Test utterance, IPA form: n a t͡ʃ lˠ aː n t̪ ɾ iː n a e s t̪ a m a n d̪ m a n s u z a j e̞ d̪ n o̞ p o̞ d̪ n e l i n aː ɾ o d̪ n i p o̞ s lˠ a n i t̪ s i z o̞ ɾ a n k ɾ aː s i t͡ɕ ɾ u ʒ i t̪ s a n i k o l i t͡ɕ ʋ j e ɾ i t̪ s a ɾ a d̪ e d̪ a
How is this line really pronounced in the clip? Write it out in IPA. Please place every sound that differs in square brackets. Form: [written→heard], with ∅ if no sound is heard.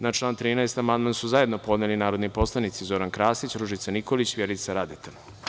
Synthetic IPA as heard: n a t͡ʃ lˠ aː n t̪ ɾ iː n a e s t̪ a m a n d̪ m a n s u z a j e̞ d̪ n o̞ p o̞ d̪ n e l i n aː ɾ o d̪ n i p o̞ s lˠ a n i t̪ s i z o̞ ɾ a n k ɾ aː s i t͡ɕ ɾ u ʒ i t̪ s a n i k o l i t͡ɕ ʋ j e ɾ i t̪ s a ɾ a d̪ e [d̪→t̪] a